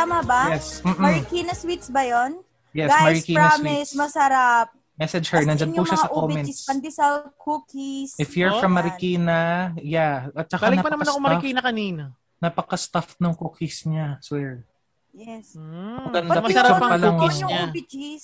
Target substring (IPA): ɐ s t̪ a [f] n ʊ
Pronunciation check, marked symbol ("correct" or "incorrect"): correct